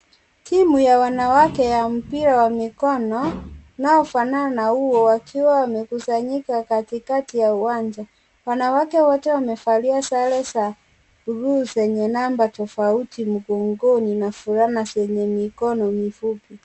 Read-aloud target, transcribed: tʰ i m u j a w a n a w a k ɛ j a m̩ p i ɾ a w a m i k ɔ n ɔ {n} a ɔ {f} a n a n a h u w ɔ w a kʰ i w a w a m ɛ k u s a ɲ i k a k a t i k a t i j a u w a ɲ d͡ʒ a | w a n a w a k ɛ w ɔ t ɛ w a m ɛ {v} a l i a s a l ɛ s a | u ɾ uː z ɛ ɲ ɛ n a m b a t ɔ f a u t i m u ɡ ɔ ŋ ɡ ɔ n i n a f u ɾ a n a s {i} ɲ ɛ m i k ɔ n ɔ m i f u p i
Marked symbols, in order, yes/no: yes, yes, no, no

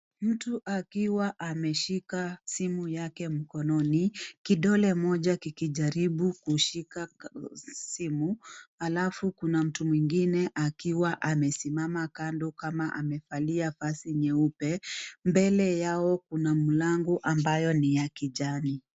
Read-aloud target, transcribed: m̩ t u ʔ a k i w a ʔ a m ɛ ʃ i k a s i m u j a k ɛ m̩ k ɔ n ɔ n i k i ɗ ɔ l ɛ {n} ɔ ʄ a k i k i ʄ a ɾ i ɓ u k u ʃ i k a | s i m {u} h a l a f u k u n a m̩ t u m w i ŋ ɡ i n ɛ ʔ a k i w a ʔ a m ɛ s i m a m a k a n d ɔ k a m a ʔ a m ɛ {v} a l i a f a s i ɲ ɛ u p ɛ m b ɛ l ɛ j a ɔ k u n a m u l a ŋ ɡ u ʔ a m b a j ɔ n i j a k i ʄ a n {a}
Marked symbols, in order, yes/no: no, yes, no, no

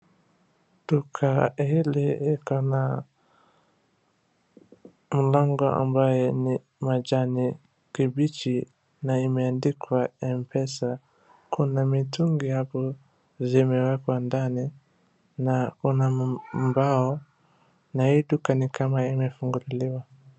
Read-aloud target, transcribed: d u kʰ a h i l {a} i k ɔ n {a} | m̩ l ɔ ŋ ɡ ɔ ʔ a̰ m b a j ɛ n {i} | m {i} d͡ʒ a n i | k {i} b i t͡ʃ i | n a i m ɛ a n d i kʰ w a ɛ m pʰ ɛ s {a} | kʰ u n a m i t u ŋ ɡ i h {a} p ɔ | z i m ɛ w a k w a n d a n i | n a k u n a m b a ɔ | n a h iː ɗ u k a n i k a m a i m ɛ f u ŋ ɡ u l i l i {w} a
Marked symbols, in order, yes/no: no, yes, yes, no, yes, yes, yes, yes

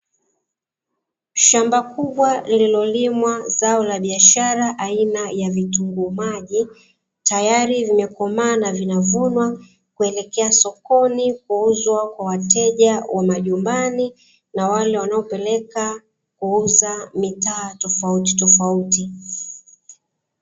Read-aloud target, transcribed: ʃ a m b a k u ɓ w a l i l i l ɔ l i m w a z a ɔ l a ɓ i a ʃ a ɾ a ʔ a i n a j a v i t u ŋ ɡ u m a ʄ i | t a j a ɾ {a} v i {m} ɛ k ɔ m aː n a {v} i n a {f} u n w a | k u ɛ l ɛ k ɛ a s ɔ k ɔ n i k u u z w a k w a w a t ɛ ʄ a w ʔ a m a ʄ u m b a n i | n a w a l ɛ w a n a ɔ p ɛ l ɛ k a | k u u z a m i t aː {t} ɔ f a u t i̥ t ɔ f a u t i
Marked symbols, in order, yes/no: no, yes, yes, no, yes

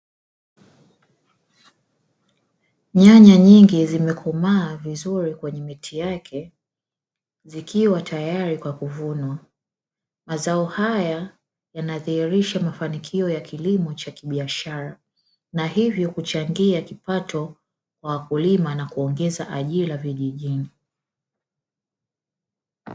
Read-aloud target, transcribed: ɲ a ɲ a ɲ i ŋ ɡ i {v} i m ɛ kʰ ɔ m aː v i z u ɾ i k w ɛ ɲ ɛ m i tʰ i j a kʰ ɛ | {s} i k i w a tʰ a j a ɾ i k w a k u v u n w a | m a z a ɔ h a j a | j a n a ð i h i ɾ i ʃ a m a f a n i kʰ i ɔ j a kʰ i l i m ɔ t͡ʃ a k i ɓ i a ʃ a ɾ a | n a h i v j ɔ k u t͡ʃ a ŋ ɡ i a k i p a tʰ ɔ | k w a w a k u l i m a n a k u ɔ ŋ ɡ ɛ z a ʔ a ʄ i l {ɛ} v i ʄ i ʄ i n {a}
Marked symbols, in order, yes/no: no, no, no, no

